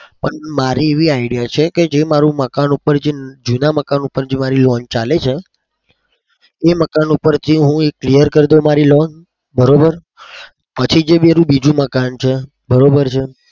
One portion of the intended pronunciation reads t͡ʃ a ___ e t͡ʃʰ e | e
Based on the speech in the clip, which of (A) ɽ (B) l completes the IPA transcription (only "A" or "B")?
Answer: B